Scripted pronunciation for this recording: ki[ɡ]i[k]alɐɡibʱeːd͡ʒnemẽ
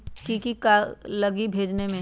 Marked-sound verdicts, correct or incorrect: incorrect: k, correct

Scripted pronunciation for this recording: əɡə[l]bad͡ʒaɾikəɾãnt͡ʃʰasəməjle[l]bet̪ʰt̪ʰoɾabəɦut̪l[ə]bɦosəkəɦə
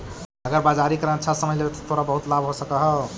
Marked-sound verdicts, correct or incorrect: incorrect: ɾ, incorrect: none, incorrect: a

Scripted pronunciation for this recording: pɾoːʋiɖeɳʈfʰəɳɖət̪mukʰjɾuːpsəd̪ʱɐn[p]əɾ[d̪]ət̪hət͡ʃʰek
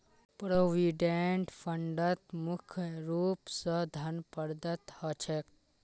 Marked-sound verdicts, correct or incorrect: correct, correct

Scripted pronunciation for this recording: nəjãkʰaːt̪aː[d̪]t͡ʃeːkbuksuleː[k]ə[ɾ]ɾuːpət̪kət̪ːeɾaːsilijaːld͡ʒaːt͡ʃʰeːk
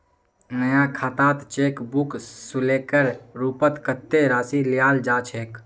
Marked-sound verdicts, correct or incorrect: incorrect: t̪, correct, correct

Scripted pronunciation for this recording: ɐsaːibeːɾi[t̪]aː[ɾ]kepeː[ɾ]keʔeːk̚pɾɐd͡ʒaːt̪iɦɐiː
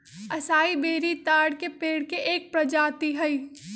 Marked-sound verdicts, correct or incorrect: correct, incorrect: ɽ, incorrect: ɽ

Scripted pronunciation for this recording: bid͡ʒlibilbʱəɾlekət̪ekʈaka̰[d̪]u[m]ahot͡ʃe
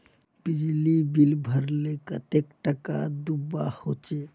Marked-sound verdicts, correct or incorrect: correct, incorrect: b

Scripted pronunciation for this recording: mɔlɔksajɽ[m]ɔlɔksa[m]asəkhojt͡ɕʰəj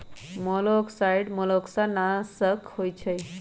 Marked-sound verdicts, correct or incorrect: correct, incorrect: n

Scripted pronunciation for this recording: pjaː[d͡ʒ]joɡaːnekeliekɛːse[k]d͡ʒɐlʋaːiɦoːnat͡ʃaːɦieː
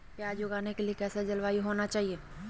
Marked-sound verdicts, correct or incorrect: correct, incorrect: none

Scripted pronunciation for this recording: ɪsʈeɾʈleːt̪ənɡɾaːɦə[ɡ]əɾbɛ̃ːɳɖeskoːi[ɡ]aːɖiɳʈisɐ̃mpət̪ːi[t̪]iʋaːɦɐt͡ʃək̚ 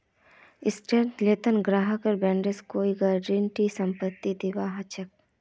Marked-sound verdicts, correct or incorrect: incorrect: k, correct, incorrect: d̪

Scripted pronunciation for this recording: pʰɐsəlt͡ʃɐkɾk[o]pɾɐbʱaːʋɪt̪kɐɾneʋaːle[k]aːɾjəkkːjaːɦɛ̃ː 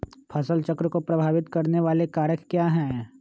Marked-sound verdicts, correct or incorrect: correct, correct

